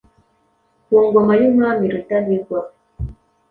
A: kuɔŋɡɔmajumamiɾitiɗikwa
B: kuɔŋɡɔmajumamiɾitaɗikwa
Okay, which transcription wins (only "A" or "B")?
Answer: B